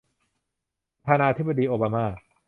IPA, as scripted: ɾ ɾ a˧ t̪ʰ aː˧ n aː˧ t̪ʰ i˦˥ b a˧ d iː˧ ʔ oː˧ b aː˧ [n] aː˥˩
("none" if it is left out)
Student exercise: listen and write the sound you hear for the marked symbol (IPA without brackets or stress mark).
m